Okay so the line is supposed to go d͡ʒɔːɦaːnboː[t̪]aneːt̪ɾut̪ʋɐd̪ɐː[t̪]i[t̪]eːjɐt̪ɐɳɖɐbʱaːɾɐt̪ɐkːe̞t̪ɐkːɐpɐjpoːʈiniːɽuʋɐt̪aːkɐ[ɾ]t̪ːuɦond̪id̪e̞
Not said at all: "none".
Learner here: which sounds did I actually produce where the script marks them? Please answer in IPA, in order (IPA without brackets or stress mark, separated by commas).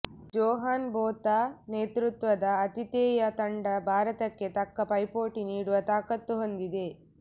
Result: t̪, t̪, t̪, none